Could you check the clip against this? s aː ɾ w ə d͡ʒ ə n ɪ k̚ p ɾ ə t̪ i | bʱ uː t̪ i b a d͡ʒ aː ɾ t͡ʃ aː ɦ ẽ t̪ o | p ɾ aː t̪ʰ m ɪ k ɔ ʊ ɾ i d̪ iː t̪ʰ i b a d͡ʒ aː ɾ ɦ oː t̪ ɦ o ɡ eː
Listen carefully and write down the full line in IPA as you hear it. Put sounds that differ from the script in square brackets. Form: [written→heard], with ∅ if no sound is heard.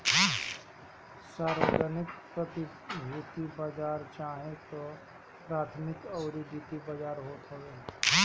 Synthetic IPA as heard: s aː ɾ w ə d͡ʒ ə n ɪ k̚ p ɾ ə t̪ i | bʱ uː t̪ i b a d͡ʒ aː ɾ t͡ʃ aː ɦ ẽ t̪ o | p ɾ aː t̪ʰ m ɪ k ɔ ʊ ɾ i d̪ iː [t̪ʰ→t̪] i b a d͡ʒ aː ɾ ɦ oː t̪ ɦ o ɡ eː